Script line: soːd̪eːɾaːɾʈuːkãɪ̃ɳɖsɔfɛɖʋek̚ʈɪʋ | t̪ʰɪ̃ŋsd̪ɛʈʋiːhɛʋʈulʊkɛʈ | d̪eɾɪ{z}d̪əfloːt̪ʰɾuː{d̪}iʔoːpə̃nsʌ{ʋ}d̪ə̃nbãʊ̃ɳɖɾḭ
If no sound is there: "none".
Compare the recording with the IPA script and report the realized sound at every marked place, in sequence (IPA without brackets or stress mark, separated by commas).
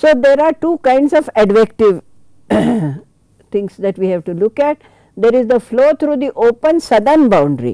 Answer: z, d̪, none